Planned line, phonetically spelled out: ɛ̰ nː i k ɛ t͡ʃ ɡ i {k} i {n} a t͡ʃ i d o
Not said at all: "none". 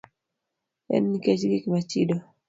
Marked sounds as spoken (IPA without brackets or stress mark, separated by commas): k, m